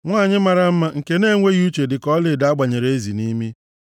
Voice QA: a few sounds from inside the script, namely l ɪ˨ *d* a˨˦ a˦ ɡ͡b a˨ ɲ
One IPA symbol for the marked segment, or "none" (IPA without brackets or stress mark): d